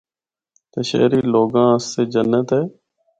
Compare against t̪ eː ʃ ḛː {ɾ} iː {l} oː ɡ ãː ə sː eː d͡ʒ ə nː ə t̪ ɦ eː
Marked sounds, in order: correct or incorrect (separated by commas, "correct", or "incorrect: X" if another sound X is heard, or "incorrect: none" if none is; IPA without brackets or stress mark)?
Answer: correct, correct